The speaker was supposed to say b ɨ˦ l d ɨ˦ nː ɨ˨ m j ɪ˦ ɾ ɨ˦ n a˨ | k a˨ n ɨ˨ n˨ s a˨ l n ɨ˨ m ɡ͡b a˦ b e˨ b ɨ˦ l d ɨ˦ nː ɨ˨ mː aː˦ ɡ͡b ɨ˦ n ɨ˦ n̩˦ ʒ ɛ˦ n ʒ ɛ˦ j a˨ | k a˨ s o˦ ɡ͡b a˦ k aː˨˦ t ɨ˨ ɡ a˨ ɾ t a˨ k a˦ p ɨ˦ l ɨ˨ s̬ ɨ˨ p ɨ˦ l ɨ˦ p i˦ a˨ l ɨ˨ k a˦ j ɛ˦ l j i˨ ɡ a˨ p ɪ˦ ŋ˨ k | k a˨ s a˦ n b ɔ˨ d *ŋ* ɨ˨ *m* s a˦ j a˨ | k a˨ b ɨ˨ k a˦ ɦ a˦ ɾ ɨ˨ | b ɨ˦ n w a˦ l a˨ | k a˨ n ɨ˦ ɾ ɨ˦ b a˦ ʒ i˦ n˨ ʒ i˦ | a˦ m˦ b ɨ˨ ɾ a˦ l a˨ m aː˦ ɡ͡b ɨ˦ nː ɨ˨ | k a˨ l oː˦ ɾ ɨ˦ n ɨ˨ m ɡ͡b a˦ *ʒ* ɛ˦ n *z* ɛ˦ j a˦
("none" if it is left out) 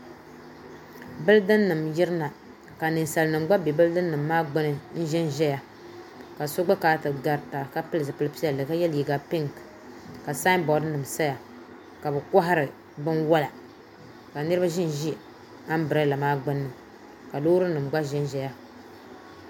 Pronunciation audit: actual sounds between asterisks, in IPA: n, m, ʒ, ʒ

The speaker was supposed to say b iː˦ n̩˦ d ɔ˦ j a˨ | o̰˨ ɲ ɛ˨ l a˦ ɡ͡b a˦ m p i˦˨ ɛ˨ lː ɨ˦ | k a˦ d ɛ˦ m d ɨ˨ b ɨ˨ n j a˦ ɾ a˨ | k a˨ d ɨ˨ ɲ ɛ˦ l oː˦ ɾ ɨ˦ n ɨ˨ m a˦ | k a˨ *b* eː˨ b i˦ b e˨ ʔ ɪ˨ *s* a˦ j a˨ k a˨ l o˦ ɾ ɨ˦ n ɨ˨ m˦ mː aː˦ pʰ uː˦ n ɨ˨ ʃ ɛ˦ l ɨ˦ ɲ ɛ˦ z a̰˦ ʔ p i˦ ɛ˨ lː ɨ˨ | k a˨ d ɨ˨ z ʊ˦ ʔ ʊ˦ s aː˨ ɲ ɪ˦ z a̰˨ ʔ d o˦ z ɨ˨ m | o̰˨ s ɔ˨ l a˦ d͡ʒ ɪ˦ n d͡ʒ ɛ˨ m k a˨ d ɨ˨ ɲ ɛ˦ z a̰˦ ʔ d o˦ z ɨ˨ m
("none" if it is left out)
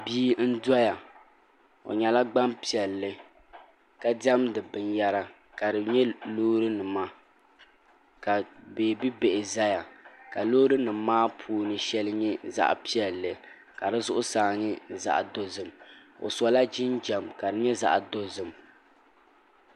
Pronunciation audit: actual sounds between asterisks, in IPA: b, z

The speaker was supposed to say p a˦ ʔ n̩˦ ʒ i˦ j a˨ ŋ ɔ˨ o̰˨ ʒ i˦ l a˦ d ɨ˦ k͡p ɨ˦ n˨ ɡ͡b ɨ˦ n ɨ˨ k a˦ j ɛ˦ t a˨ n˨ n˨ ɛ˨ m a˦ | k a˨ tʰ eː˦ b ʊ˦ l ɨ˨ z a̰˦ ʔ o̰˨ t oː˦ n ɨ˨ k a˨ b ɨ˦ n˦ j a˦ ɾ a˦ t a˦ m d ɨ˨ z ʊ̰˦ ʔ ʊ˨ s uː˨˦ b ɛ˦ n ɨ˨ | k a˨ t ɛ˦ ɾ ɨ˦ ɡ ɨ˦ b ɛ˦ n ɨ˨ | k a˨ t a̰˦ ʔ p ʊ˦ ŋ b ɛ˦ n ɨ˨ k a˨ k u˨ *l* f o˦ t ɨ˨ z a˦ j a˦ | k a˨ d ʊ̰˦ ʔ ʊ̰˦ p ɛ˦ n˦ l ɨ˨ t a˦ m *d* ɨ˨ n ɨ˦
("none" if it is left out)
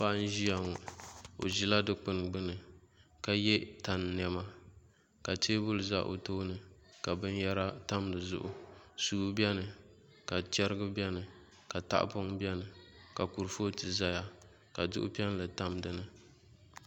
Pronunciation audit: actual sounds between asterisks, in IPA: ɾ, d

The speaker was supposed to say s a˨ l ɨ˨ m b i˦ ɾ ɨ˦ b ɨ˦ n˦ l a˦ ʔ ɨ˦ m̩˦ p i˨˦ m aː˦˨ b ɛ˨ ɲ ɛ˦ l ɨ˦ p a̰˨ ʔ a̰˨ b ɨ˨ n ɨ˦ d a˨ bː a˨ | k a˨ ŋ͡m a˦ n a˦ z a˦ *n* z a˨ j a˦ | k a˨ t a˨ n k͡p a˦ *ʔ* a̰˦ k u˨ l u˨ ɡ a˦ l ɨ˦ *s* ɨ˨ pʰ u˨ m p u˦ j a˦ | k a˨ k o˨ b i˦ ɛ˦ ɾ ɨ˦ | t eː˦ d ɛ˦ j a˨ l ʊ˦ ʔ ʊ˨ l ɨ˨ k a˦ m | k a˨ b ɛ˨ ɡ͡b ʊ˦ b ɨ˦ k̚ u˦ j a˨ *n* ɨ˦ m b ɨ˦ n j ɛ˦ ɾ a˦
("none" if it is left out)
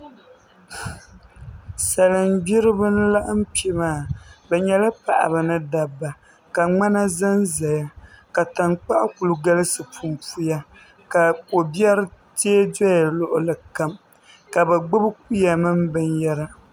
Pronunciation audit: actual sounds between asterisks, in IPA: n, ʔ, s, m

